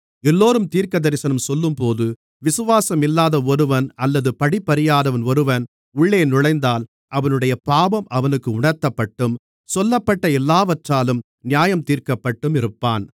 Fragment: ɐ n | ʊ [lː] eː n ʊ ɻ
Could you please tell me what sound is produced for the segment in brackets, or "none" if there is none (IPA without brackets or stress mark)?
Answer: ɭː